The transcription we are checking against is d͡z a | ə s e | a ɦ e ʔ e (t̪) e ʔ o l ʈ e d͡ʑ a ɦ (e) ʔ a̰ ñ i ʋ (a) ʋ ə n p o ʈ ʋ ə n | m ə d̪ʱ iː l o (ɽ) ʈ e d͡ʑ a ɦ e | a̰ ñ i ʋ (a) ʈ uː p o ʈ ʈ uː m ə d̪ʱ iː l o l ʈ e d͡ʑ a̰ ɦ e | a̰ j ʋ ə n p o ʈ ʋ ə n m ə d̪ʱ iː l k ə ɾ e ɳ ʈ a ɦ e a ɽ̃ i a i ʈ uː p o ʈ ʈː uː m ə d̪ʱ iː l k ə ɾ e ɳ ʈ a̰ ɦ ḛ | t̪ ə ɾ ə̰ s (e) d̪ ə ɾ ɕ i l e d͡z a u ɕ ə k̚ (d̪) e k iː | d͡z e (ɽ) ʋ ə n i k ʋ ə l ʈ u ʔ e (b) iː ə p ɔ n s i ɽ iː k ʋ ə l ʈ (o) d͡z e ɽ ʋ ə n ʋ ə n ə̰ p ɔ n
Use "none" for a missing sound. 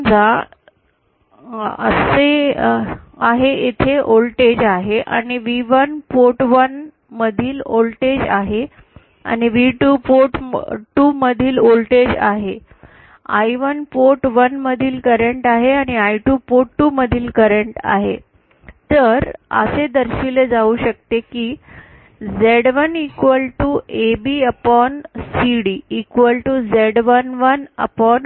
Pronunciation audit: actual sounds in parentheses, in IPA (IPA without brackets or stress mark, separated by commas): t̪ʰ, e, i, l, i, e, t̪, ɽ, b, u